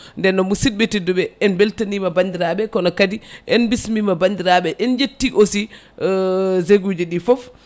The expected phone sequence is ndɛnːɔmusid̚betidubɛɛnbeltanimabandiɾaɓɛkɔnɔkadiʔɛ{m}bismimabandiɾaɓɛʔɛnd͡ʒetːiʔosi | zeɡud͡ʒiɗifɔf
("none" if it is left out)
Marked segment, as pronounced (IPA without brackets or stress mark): n